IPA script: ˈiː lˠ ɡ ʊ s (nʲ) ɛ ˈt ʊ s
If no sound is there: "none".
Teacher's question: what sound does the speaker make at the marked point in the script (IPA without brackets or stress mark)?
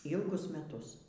mʲ